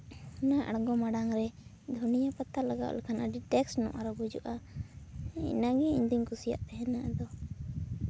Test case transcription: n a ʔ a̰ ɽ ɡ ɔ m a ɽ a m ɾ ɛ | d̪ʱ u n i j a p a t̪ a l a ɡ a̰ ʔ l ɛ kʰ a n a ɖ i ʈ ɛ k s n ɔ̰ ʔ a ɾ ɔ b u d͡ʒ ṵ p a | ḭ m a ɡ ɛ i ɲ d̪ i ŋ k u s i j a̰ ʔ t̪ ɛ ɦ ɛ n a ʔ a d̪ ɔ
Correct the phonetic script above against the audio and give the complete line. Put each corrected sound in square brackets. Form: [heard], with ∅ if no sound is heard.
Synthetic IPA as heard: n a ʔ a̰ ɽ ɡ ɔ m a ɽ a [ŋ] ɾ ɛ | d̪ʱ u n i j a p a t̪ a l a ɡ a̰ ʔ l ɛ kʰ a n a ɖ i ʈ ɛ k s n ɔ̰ ʔ a ɾ ɔ b u d͡ʒ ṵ [ʔ] a | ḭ [n] a ɡ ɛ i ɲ d̪ i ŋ k u s i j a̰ ʔ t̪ ɛ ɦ ɛ n a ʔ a d̪ ɔ

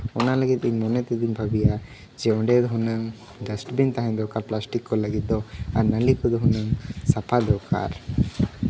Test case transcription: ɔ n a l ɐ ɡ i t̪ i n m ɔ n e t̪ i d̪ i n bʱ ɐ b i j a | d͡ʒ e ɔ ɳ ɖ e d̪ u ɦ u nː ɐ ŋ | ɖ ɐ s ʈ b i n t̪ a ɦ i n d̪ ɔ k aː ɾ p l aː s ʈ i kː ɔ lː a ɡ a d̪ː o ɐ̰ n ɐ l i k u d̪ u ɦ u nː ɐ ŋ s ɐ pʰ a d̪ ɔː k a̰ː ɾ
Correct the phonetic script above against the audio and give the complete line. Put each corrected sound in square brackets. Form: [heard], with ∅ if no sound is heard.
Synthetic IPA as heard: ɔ n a l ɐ ɡ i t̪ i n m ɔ n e t̪ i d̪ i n bʱ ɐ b i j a | d͡ʒ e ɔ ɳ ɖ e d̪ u ɦ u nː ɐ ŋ | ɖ ɐ s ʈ b i n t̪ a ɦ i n d̪ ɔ k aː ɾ p l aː s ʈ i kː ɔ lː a ɡ [i] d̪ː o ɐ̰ n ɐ l i k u d̪ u ɦ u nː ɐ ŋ s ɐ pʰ a d̪ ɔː k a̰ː ɾ

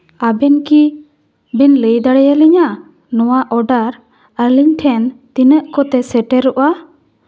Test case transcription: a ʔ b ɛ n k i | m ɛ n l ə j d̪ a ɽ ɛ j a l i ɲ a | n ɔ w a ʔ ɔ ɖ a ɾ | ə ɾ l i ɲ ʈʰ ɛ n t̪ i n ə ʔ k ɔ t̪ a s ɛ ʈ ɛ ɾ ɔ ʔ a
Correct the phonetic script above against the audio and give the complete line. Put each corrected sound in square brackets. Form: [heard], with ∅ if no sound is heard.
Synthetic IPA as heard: a [∅] b ɛ n k i | [b] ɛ n l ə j d̪ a ɽ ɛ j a l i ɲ a | n ɔ w a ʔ ɔ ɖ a ɾ | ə ɾ l i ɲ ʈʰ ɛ n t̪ i n ə ʔ k ɔ t̪ [ɛ] s ɛ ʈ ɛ ɾ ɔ ʔ a

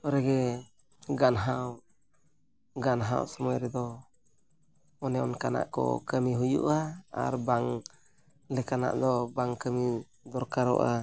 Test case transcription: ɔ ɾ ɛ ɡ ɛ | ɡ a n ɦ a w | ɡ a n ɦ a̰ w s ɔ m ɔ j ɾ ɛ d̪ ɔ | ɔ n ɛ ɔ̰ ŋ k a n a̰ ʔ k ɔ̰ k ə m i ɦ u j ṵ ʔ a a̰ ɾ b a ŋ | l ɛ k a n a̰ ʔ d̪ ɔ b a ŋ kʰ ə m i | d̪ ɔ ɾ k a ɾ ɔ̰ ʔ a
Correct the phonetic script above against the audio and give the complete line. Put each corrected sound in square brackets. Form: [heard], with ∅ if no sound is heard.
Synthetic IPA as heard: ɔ ɾ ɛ ɡ ɛ | ɡ a n ɦ a w | ɡ a n ɦ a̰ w s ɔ m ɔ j ɾ ɛ d̪ ɔ | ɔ n ɛ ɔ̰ [n] k a n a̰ ʔ k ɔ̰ k ə m i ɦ u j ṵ ʔ a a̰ ɾ b a ŋ | l ɛ k a n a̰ ʔ d̪ ɔ b a ŋ [k] ə m i | d̪ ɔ ɾ k a ɾ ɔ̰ ʔ a

